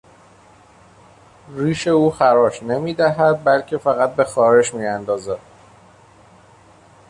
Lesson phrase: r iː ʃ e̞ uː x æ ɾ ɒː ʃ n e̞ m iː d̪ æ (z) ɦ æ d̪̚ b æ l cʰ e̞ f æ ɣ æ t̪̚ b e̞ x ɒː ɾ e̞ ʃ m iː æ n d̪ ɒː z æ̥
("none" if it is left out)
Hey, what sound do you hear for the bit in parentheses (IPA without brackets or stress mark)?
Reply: none